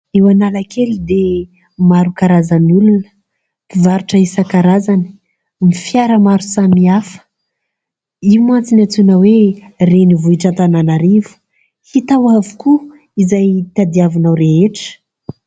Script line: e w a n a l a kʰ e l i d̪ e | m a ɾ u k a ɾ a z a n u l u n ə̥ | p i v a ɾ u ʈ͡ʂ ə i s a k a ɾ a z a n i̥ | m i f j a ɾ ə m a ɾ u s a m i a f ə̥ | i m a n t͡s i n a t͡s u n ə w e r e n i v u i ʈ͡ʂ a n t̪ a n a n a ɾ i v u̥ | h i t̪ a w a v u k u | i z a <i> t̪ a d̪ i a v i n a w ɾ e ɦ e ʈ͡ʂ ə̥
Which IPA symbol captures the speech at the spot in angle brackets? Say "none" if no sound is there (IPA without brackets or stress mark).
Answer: j